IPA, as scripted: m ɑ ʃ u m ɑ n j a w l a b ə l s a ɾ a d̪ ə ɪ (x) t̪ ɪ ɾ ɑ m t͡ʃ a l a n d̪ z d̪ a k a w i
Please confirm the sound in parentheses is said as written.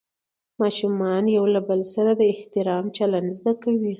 no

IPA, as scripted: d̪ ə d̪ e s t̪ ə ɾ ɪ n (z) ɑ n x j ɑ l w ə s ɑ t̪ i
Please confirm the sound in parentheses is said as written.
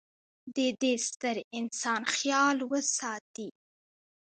no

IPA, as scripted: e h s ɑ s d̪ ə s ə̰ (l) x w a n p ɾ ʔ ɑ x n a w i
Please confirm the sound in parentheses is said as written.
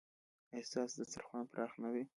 no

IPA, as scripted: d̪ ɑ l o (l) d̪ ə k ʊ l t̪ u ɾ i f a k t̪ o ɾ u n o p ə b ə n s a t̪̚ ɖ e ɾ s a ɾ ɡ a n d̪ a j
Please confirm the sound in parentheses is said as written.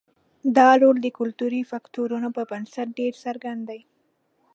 yes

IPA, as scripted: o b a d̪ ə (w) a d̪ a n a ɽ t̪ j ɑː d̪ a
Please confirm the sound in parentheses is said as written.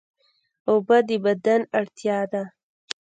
no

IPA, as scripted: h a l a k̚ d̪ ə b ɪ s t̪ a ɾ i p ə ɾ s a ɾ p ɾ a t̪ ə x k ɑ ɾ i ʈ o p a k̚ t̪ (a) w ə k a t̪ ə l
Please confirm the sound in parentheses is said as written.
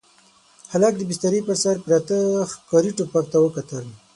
yes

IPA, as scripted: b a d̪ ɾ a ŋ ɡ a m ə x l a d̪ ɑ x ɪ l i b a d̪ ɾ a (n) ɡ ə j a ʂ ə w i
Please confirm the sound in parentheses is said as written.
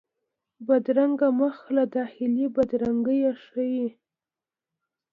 no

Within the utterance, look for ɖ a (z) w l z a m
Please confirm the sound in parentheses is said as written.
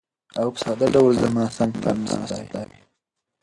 no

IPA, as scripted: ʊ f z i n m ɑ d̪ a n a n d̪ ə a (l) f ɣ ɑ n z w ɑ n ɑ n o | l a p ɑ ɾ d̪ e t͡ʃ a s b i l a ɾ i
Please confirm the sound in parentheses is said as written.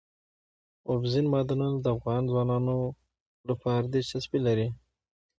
no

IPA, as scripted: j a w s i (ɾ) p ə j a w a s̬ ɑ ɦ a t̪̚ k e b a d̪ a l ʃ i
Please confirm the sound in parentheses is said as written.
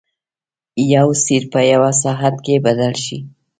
yes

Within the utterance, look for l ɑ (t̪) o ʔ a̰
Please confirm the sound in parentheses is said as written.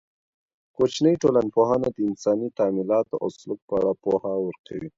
yes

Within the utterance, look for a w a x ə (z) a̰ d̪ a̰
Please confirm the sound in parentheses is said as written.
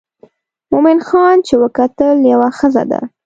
yes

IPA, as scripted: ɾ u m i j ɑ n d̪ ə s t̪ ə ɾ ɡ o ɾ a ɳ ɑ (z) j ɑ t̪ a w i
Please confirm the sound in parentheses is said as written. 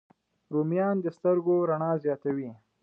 yes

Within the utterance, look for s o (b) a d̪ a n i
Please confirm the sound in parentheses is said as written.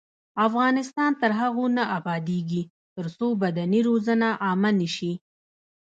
yes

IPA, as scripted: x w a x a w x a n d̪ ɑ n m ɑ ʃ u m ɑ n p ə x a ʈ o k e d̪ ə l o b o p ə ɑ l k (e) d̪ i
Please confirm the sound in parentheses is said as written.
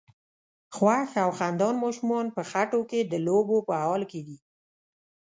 yes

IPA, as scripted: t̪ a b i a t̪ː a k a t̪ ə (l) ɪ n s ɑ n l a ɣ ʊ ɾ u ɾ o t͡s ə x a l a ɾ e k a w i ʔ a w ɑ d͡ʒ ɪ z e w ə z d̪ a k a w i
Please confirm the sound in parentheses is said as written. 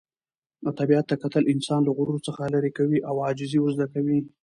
yes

